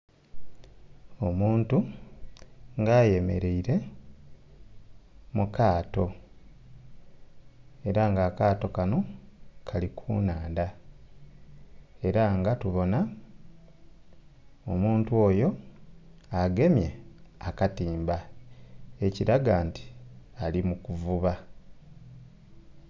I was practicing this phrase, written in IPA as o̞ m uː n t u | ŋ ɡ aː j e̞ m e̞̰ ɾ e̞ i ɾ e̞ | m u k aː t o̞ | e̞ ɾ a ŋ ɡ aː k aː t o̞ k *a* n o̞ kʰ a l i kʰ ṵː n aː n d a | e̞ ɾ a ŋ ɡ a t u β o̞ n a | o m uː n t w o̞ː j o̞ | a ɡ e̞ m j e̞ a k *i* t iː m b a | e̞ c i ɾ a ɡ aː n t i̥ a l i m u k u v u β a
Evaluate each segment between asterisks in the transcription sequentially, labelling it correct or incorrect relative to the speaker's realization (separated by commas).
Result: correct, incorrect